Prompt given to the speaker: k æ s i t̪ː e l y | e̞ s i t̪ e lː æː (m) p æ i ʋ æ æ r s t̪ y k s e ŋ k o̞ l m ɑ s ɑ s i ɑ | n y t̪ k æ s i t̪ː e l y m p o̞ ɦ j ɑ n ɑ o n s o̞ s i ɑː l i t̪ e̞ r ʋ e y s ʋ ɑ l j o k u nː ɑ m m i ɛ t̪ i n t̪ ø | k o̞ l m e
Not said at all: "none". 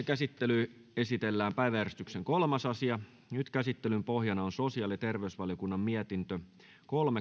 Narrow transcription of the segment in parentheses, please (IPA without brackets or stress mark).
m